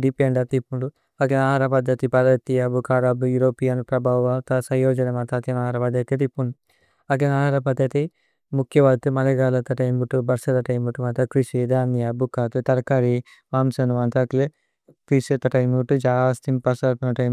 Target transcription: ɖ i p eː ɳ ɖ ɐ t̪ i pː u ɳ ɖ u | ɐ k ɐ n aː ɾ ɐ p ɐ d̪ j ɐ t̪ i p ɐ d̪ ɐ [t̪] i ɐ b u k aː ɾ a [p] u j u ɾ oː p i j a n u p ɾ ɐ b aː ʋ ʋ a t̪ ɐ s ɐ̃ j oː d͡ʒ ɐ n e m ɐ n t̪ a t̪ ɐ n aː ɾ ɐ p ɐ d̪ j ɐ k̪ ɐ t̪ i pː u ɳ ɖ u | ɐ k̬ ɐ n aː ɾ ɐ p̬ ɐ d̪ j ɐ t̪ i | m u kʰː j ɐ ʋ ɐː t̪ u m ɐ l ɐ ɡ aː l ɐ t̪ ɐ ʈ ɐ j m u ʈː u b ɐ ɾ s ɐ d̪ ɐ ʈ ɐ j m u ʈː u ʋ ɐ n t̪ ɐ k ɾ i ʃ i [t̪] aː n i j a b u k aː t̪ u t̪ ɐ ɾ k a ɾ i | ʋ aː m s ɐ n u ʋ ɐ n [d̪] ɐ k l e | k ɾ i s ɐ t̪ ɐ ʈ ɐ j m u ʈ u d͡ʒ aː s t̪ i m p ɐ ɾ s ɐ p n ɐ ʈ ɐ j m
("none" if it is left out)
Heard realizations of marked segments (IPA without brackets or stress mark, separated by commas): t̪, b, d̪, t̪